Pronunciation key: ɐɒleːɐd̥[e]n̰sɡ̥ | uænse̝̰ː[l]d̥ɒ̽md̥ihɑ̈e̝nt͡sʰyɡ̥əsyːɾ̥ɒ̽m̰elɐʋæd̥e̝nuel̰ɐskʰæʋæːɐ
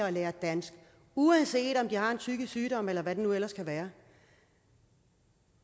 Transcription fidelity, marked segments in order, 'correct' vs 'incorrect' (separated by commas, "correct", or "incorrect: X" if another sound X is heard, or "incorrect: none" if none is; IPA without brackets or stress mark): incorrect: æ, incorrect: none